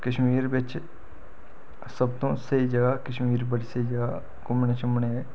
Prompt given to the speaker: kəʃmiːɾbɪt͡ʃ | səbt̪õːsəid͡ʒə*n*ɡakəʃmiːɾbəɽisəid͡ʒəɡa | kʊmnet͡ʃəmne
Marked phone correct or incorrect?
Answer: incorrect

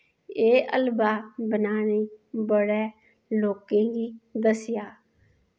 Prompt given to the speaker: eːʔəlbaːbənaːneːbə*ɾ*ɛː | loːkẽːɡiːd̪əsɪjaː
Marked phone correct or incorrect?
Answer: incorrect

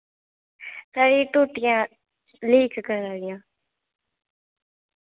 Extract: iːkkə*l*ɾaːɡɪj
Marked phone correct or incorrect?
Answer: incorrect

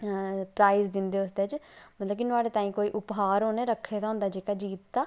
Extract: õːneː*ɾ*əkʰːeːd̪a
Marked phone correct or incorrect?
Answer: correct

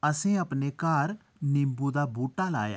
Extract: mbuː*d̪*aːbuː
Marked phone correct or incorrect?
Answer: correct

